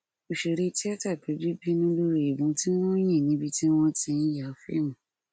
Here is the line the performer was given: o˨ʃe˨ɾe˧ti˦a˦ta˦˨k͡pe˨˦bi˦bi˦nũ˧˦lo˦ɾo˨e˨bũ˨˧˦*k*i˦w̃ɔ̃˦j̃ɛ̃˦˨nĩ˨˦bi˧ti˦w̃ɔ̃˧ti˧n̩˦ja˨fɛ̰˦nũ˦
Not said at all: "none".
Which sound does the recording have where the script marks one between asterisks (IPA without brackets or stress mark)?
t